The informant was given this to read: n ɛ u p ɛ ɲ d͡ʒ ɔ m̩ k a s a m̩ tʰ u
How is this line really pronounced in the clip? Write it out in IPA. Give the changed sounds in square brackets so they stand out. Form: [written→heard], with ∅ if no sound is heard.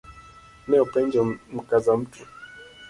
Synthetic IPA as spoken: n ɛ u p ɛ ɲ d͡ʒ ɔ m̩ k a [s→z] a m̩ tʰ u